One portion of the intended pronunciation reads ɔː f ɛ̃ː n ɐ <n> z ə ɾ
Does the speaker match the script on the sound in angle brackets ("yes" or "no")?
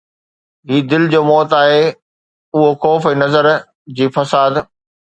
no